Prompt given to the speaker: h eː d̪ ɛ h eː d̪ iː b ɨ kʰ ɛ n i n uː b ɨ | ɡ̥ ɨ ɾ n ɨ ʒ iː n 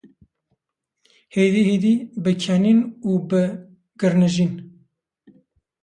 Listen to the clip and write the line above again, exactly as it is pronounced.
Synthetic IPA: h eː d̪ i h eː d̪ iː b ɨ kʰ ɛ n i n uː b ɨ | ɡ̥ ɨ ɾ n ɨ ʒ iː n